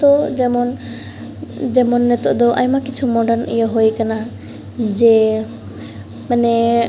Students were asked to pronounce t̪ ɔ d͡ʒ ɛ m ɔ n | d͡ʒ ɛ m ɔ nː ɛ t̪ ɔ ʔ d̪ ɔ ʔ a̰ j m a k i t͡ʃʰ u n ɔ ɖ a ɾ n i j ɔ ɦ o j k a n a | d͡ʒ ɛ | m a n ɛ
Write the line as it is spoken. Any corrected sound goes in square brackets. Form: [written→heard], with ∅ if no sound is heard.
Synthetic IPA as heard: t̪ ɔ d͡ʒ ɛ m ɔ n | d͡ʒ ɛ m ɔ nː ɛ t̪ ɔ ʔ d̪ ɔ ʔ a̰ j m a k i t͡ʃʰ u [n→m] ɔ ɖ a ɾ n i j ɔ ɦ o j k a n a | d͡ʒ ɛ | m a n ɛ